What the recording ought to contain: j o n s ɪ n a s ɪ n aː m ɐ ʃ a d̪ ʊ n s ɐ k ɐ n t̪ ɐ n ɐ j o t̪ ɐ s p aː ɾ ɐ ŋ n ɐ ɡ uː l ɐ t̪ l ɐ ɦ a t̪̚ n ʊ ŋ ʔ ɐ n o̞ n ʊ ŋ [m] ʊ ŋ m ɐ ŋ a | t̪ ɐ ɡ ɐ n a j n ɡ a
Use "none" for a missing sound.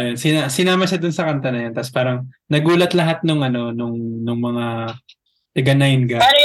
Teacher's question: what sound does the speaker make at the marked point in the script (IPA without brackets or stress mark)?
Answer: n